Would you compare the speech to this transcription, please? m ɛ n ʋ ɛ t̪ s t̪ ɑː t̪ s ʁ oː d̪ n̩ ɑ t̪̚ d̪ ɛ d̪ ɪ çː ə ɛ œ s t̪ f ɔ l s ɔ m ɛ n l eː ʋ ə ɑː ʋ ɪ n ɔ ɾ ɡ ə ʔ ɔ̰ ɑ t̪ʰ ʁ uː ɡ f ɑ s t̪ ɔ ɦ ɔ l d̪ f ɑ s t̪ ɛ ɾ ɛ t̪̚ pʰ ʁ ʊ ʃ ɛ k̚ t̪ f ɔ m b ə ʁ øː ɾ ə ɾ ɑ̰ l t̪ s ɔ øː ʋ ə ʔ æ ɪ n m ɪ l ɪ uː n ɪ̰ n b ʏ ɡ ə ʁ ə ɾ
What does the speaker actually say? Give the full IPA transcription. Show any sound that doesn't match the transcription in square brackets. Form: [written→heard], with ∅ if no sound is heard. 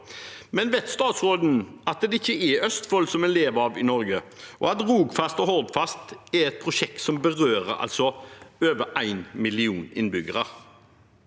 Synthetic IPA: m ɛ n ʋ ɛ t̪ s t̪ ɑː t̪ s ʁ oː d̪ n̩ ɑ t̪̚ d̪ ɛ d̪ ɪ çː ə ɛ œ s t̪ f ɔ l s ɔ m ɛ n l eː ʋ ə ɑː ʋ ɪ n ɔ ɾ ɡ ə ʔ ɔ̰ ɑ [t̪ʰ→t̪] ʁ uː ɡ f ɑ s t̪ ɔ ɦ ɔ l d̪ f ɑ s t̪ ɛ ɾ ɛ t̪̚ pʰ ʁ ʊ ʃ ɛ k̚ t̪ [f→s] ɔ m b ə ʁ øː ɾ ə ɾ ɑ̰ l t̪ s ɔ øː ʋ ə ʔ æ ɪ n m ɪ l ɪ uː n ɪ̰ n b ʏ ɡ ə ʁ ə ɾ